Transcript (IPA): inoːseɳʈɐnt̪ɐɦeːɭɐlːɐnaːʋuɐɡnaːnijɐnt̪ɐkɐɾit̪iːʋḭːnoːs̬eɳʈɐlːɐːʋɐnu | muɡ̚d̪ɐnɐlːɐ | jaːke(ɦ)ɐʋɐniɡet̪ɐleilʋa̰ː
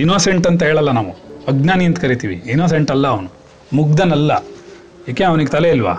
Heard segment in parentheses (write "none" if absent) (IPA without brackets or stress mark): none